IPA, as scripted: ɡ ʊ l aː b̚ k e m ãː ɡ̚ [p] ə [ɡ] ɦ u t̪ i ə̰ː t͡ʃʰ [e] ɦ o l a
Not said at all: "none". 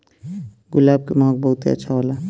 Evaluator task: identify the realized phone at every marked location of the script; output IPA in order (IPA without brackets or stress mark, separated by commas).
b, none, a